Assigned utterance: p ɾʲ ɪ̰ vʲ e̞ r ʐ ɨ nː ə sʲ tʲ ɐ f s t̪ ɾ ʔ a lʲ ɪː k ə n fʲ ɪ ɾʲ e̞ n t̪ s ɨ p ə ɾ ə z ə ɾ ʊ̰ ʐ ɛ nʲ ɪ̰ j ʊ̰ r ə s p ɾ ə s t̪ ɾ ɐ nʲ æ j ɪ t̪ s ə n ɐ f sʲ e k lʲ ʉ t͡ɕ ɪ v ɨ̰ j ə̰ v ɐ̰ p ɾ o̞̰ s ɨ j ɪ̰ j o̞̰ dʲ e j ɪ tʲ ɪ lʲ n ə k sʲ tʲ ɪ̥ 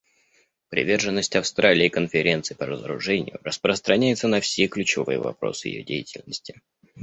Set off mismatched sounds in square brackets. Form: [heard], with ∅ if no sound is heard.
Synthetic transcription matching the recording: p ɾʲ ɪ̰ vʲ e̞ r ʐ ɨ nː ə sʲ tʲ ɐ f s t̪ ɾ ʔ a lʲ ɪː k ə n fʲ ɪ ɾʲ e̞ n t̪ s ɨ p ə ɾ ə z ə ɾ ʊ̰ ʐ ɛ nʲ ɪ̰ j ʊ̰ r ə s p ɾ ə s t̪ ɾ ɐ nʲ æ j ɪ t̪ s ə n ɐ f sʲ e k lʲ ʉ t͡ɕ ɪ v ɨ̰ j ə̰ v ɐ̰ p ɾ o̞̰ s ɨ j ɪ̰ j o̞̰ dʲ e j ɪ tʲ ɪ lʲ n ə [∅] sʲ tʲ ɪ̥